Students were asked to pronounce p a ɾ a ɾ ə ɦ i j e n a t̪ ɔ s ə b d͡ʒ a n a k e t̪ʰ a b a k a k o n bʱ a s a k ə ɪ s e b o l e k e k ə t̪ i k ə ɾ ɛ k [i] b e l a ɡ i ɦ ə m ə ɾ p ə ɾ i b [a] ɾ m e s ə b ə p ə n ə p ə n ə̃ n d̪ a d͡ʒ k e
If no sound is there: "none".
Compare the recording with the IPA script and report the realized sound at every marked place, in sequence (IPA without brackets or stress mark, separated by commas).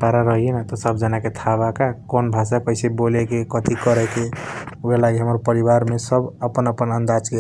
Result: e, a